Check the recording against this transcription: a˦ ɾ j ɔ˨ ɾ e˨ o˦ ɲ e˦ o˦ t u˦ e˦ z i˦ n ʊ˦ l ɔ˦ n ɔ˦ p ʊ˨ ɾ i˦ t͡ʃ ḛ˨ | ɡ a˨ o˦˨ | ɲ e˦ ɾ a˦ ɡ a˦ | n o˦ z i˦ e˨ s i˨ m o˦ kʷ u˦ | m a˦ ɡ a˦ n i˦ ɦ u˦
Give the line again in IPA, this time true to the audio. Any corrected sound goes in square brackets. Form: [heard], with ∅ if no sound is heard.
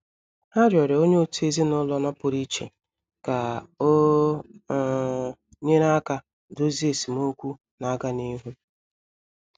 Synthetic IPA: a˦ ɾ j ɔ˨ ɾ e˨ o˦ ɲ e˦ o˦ t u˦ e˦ z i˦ n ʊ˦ l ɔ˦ n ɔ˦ p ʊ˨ ɾ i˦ t͡ʃ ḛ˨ | [k] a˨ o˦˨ | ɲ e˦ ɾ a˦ [k] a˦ | [d] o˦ z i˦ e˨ s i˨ m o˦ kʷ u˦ | [n] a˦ ɡ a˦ n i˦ ɦ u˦

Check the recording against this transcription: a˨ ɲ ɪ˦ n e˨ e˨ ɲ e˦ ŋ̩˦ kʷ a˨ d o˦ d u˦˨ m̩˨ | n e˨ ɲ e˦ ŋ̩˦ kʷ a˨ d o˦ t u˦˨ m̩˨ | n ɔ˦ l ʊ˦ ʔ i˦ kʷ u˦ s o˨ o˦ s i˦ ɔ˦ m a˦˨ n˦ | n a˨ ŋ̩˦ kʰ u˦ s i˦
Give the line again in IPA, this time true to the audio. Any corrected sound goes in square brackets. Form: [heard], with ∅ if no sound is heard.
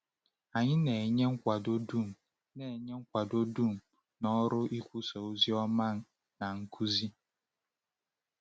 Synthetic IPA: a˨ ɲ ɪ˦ n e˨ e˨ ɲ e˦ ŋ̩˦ kʷ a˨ d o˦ d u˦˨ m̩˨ | n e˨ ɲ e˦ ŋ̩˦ kʷ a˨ d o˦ [d] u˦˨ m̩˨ | n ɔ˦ [ɾ] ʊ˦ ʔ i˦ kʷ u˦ s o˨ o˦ [z] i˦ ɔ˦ m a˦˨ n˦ | n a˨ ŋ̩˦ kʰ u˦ [z] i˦

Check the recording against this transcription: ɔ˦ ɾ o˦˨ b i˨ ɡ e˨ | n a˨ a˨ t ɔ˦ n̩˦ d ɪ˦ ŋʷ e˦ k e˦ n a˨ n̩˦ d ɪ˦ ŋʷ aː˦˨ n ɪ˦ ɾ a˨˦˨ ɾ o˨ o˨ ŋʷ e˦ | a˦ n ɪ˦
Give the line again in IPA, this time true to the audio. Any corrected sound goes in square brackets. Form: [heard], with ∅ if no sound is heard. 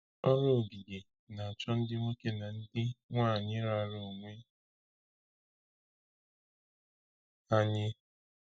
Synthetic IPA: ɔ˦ ɾ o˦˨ [ɡ] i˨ ɡ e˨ | n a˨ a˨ [t͡ʃ] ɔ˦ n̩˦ d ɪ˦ ŋʷ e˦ k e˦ n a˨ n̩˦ d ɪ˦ ŋʷ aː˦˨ [ɲ] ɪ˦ ɾ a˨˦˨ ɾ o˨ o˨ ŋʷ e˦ | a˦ [ɲ] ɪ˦

